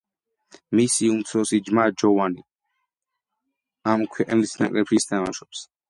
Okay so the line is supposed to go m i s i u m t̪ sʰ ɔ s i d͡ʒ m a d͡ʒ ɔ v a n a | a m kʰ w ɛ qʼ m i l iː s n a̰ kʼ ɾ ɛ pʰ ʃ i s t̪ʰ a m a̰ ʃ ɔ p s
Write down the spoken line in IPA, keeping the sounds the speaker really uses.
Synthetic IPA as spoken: m i s i u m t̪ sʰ ɔ s i d͡ʒ m a d͡ʒ ɔ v a n i | a m kʰ w ɛ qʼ n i l i s n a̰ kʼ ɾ ɛ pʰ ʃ i s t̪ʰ a m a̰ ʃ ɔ p s